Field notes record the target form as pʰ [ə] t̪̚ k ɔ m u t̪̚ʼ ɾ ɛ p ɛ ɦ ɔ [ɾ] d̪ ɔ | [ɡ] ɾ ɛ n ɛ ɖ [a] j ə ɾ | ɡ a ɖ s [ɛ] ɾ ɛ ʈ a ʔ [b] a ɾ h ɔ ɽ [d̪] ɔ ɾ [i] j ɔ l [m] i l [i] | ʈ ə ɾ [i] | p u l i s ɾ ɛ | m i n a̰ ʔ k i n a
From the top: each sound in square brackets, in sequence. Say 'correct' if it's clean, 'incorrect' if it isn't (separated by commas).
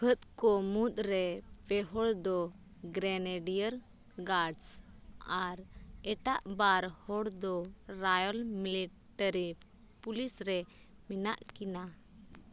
correct, incorrect, correct, incorrect, incorrect, correct, correct, incorrect, correct, correct, correct